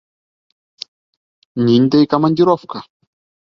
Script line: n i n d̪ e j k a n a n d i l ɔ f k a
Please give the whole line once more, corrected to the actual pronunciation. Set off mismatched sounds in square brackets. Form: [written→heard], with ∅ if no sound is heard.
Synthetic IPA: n i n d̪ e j k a [n→m] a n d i [l→ɾ] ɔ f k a